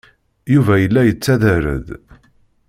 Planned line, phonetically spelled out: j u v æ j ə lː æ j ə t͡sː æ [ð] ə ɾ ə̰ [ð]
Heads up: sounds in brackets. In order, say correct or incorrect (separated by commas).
correct, correct